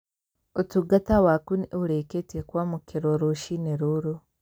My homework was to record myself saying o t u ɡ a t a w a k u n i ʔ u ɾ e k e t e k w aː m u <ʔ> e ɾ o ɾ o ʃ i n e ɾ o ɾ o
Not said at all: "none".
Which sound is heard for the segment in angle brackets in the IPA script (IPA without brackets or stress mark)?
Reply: k